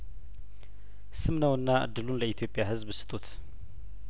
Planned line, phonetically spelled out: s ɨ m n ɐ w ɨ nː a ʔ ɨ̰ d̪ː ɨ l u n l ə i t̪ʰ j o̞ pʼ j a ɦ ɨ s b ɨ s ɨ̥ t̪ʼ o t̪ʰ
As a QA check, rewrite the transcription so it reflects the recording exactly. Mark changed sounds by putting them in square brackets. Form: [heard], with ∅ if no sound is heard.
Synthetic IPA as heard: s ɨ m n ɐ w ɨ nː a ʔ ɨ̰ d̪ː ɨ l u n l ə i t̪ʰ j o̞ pʼ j a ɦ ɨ [z] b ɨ s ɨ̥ t̪ʼ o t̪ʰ